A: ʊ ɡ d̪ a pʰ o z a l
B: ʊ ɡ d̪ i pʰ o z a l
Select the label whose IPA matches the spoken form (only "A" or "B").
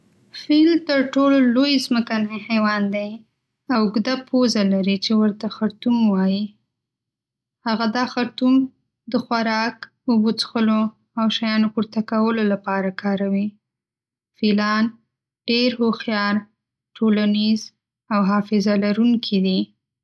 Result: A